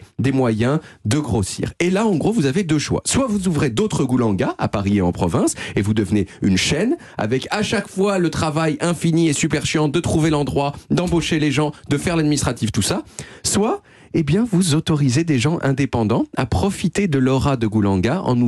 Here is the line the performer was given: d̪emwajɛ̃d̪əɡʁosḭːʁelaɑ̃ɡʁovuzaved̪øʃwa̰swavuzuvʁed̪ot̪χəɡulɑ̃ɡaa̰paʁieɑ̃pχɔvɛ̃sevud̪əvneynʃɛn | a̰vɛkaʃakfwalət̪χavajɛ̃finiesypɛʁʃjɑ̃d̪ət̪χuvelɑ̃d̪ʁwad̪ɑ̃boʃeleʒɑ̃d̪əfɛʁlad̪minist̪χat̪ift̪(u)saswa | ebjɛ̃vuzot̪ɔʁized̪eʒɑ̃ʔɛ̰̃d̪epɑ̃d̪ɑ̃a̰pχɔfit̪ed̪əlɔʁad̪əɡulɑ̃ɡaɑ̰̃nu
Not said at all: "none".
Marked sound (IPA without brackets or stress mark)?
u